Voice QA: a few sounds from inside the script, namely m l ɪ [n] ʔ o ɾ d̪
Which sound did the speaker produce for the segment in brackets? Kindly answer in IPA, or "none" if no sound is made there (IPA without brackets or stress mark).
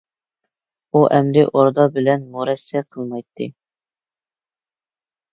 none